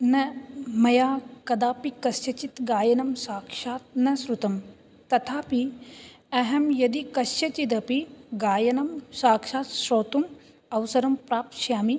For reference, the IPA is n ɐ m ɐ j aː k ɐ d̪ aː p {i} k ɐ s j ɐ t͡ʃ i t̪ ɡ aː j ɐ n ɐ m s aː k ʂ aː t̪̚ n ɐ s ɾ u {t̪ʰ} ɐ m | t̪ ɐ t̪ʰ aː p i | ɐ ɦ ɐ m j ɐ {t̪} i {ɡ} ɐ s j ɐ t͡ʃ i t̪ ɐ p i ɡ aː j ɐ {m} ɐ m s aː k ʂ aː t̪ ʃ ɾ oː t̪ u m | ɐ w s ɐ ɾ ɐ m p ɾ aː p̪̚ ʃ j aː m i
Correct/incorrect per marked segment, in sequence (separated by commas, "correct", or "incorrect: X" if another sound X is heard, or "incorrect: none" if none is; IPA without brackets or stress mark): correct, incorrect: t̪, incorrect: d̪, incorrect: k, incorrect: n